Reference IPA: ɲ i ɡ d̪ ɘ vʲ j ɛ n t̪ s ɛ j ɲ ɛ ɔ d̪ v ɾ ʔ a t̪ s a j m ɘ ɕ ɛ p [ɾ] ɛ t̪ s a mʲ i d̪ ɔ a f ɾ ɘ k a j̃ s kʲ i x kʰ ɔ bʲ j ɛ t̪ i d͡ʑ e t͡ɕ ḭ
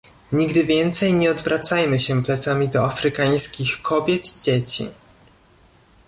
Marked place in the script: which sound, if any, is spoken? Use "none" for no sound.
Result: l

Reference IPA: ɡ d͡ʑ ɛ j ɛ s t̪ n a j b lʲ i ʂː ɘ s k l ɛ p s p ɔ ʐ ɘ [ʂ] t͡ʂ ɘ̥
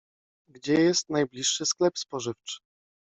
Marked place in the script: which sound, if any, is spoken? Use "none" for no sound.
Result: f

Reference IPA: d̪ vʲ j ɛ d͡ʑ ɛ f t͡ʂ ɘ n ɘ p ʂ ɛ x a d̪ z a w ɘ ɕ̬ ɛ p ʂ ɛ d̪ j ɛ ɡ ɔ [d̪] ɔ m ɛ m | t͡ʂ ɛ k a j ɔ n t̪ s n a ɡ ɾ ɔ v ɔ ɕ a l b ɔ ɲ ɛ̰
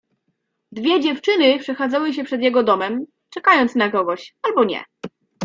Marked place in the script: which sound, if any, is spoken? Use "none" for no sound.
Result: d̪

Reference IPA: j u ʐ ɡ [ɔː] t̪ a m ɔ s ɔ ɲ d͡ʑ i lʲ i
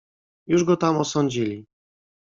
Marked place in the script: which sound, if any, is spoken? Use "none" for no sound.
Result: ɔ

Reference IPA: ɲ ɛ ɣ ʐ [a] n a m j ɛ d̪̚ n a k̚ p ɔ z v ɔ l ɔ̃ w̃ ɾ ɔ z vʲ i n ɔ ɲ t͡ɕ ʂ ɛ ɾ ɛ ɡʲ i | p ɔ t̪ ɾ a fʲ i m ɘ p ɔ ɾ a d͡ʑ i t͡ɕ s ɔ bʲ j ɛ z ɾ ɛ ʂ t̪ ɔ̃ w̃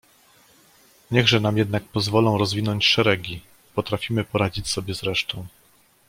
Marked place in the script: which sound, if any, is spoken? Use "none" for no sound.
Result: ɛ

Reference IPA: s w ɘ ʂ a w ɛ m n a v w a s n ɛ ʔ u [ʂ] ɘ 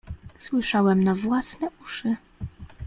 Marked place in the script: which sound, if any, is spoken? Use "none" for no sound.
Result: ʂ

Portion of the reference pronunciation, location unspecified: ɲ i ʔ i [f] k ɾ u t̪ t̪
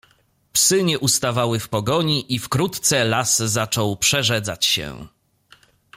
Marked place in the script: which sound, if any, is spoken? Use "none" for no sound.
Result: f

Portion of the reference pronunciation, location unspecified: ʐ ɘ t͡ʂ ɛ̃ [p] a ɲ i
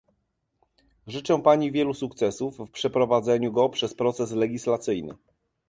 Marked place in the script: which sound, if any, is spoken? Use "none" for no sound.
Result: p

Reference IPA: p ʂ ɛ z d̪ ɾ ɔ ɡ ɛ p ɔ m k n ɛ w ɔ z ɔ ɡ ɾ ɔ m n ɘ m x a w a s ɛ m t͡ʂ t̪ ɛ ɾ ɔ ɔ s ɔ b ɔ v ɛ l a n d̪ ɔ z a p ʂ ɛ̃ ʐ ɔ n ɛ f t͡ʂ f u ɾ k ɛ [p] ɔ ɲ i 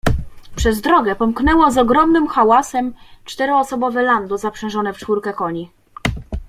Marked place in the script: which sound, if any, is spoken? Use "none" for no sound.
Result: k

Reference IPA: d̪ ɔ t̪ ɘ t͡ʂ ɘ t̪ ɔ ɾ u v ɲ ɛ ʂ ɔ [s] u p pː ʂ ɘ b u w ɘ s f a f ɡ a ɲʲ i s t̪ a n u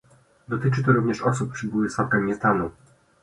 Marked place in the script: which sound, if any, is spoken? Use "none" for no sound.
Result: s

